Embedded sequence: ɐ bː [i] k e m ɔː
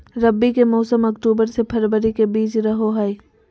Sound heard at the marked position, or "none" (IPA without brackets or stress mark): i